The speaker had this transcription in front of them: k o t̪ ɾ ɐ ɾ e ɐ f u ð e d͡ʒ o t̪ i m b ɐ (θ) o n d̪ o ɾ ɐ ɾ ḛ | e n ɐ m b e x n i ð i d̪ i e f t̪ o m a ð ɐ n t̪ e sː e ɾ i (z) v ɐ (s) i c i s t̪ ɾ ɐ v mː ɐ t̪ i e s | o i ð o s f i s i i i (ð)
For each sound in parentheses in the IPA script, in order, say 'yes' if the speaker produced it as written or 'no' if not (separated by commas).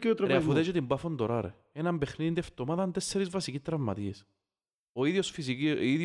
no, yes, yes, yes